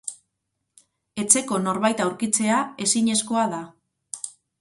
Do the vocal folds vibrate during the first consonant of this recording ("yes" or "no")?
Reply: no